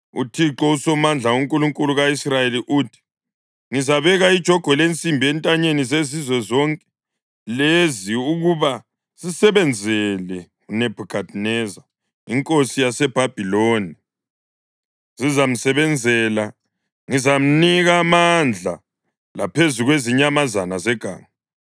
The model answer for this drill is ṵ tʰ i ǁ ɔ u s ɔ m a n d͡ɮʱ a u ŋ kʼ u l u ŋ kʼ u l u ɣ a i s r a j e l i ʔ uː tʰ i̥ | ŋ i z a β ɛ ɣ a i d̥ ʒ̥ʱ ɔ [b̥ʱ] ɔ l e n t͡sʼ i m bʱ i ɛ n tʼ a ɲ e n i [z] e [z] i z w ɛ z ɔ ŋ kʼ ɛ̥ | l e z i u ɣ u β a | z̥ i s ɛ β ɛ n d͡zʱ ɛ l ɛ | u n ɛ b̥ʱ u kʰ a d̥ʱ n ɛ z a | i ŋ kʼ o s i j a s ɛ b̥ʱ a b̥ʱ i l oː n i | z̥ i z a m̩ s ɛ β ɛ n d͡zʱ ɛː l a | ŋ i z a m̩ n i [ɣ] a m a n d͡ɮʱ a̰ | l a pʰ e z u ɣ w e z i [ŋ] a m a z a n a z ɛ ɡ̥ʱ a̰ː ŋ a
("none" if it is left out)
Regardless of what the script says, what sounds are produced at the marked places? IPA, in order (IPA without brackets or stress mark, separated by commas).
ɡ̥ʱ, z, z, ɣ, ɲ